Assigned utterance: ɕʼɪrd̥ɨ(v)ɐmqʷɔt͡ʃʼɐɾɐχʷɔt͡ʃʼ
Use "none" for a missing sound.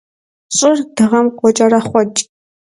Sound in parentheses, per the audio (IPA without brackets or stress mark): ʁ